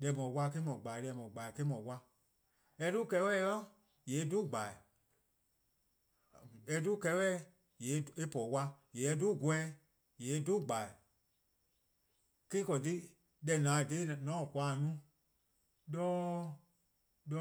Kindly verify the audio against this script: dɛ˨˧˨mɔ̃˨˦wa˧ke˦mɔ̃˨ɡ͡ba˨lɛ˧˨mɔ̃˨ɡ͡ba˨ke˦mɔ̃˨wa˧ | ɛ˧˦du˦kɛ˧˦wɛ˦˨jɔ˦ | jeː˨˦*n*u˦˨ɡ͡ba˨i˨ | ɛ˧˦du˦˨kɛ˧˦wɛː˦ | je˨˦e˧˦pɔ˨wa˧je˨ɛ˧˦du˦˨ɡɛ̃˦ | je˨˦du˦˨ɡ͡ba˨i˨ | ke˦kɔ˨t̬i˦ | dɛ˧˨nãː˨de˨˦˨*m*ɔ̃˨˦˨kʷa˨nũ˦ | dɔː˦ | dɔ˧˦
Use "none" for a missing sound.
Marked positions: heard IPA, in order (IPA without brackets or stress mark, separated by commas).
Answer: d, n